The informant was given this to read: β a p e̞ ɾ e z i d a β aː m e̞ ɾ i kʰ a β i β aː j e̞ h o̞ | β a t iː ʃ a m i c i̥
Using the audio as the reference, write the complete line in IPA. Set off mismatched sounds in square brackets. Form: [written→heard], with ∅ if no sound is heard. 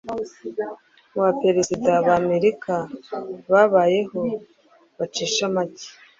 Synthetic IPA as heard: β a p e̞ ɾ e z i d a β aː m e̞ ɾ i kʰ a β [i→a] β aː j e̞ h o̞ | β a [t→t͡ʃ] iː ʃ a m [i→a] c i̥